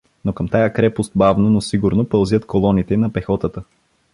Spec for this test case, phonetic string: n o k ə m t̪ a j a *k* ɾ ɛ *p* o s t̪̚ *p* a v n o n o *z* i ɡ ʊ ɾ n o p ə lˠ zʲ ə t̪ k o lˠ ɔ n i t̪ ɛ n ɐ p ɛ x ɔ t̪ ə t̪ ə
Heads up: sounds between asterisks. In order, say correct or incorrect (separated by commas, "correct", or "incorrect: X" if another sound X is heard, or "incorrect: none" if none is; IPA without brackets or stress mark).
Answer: correct, correct, incorrect: b, incorrect: s